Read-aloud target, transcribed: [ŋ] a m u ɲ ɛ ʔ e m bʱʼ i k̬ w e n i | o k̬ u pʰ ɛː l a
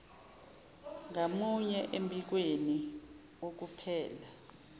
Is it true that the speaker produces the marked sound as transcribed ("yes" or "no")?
yes